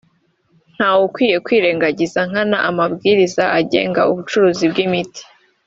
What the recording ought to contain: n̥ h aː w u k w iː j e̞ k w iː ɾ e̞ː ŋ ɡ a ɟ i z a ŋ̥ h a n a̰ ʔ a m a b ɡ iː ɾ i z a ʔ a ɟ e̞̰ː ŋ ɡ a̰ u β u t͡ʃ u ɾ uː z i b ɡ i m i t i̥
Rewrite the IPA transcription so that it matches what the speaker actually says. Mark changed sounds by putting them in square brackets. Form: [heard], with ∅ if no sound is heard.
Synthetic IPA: n̥ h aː w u k w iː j e̞ k w iː ɾ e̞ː ŋ ɡ a ɟ i z a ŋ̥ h a n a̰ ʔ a m a b ɡ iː ɾ i z a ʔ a ɟ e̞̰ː ŋ ɡ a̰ u β u t͡ʃ u ɾ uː z i b ɡ i m i t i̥